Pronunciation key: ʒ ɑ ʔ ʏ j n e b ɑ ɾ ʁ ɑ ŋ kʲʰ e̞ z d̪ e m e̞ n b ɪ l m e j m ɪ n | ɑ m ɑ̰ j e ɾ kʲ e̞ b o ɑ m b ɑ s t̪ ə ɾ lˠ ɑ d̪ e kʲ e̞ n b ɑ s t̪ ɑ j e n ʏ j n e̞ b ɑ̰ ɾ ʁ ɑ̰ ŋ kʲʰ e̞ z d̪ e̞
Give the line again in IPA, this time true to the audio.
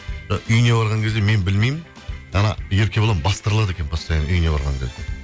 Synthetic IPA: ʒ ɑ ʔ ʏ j n e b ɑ ɾ ʁ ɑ ŋ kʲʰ e̞ z d̪ e m e̞ n b ɪ l m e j m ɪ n | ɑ n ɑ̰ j e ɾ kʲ e̞ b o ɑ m b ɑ s t̪ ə ɾ lˠ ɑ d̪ e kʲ e̞ n b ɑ s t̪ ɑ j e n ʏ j n e̞ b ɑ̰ ɾ ʁ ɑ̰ ŋ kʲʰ e̞ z d̪ e̞

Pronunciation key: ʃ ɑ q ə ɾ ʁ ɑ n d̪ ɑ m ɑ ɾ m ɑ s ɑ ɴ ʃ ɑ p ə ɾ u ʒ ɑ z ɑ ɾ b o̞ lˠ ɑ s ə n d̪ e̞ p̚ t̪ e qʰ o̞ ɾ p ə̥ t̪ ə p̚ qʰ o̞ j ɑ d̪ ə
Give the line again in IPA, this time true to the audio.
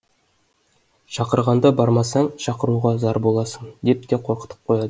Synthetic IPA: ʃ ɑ q ə ɾ ʁ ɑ n d̪ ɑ b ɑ ɾ m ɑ s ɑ ɴ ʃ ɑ q ə ɾ u ʁ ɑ z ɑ ɾ b o̞ lˠ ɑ s ə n d̪ e̞ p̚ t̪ e qʰ o̞ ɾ q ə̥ t̪ ə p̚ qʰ o̞ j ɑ d̪ ə

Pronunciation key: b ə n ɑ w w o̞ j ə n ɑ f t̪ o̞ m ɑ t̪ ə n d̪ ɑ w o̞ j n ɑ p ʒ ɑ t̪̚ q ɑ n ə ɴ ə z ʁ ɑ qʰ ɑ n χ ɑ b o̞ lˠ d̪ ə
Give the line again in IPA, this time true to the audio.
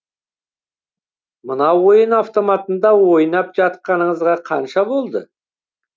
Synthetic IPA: m ə n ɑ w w o̞ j ə n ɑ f t̪ o̞ m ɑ t̪ ə n d̪ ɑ w o̞ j n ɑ p ʒ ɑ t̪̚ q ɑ n ə ɴ ə z ʁ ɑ qʰ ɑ n ʃ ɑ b o̞ lˠ d̪ ə

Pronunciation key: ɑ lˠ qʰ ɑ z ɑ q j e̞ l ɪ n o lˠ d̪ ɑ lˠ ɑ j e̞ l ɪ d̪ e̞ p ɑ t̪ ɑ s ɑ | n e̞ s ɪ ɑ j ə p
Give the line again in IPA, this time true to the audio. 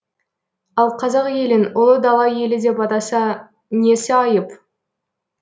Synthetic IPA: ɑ lˠ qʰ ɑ z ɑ q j e̞ l ɪ n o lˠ d̪ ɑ lˠ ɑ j e̞ l ɪ d̪ e̞ p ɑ t̪ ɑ s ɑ | n e̞ s ɪ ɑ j ə p

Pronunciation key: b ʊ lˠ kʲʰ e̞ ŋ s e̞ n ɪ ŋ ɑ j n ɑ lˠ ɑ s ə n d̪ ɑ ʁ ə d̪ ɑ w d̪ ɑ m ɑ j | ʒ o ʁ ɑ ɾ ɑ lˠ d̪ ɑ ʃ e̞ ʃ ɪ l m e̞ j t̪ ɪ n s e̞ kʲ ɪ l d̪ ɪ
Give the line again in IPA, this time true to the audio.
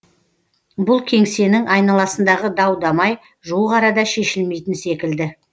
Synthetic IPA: b ʊ lˠ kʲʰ e̞ ŋ s e̞ n ɪ ŋ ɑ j n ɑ lˠ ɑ s ə n d̪ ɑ ʁ ə d̪ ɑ w d̪ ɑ m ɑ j | ʒ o ʁ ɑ ɾ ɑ d̪ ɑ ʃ e̞ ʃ ɪ l m e̞ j t̪ ɪ n s e̞ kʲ ɪ l d̪ ɪ

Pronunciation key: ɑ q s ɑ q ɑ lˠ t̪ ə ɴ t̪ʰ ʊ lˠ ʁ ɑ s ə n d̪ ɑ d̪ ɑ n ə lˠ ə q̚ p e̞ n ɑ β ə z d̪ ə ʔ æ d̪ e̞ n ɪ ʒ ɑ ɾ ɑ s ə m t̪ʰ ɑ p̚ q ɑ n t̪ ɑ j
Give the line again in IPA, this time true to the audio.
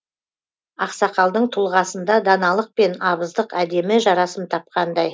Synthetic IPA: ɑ q s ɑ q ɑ lˠ d̪ ə ɴ t̪ʰ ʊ lˠ ʁ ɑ s ə n d̪ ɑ d̪ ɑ n ɑ lˠ ə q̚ p e̞ n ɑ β ə z d̪ ə q æ d̪ e̞ m ɪ ʒ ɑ ɾ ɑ s ə m t̪ʰ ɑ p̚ q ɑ n d̪ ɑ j

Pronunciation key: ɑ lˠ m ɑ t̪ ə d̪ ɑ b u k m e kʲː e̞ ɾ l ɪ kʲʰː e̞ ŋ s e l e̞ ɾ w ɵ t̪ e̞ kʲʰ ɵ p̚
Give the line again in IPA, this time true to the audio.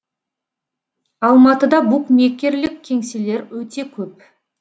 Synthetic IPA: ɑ lˠ m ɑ t̪ ə d̪ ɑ b u k m e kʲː e̞ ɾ l ɪ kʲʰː e̞ ŋ s e l e̞ ɾ w ɵ t̪ e̞ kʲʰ ɵ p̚

